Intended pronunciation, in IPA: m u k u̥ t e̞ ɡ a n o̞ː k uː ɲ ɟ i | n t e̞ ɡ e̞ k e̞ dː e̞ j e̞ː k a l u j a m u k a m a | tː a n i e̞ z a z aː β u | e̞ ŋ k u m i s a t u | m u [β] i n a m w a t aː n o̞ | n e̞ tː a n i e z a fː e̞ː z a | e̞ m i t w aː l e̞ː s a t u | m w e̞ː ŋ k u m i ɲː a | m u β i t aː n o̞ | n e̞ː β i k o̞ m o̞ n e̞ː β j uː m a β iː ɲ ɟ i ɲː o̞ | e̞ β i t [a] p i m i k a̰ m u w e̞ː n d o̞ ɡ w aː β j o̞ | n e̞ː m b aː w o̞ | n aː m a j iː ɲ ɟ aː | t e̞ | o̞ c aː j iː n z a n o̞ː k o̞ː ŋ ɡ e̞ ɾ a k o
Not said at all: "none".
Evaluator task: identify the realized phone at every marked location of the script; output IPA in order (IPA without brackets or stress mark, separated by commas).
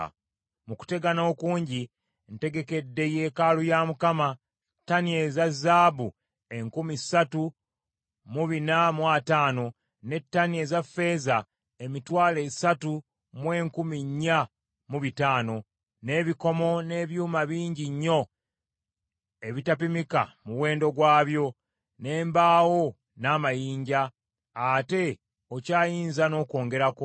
β, a